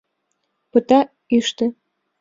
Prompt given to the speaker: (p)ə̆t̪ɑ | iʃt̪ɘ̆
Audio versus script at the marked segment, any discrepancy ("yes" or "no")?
no